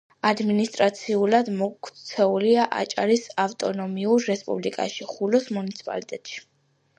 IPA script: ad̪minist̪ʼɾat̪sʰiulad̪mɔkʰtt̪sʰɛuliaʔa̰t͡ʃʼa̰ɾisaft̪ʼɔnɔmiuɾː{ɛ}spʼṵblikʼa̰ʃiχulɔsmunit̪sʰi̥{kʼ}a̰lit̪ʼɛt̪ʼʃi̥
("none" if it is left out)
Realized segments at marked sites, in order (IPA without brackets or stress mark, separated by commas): ɛ, pʼ